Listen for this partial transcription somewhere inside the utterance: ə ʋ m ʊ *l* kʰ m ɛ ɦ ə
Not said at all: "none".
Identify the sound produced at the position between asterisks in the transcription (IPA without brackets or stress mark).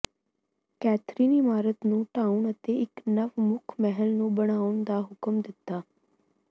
none